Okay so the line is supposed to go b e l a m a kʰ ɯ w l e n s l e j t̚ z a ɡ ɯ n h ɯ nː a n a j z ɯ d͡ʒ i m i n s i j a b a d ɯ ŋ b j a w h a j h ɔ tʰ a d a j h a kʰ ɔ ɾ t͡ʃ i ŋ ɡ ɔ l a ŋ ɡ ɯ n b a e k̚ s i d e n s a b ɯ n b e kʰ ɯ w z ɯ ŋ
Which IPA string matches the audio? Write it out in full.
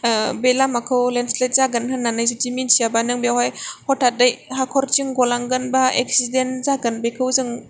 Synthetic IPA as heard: b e l a m a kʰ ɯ w l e n s l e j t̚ z a ɡ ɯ n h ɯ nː a n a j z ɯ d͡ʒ i m i n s i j a b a n ɯ ŋ b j a w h a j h ɔ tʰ a d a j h a kʰ ɔ ɾ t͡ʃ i ŋ ɡ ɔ l a ŋ ɡ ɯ n b a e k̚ s i d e n z a ɡ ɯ n b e kʰ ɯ w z ɯ ŋ